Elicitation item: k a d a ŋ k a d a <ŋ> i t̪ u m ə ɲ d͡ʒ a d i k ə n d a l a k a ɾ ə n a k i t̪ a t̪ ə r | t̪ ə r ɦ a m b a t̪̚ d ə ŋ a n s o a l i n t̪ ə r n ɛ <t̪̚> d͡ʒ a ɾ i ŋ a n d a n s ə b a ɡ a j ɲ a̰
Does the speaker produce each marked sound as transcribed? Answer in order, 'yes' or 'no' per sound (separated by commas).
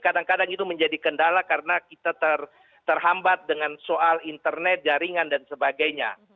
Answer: yes, yes